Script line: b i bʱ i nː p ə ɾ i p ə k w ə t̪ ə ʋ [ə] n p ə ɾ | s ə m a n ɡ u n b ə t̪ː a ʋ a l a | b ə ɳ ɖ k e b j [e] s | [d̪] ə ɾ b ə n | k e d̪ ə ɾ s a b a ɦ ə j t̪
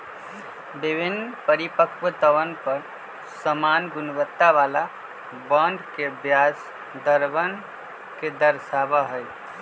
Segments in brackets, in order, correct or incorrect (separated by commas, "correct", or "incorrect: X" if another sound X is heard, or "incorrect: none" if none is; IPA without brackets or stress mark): correct, incorrect: a, correct